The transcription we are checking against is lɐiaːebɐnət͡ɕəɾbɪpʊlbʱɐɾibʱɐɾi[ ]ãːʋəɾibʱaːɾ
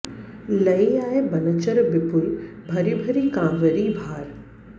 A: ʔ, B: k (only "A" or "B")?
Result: B